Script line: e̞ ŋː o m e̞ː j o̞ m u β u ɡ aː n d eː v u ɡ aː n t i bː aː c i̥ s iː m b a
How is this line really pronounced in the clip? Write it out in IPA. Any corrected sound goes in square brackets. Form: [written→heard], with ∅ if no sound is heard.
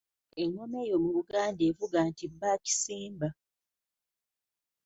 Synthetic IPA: e̞ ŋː o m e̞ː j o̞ m u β u ɡ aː n d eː v u ɡ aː n t i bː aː c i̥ s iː m b a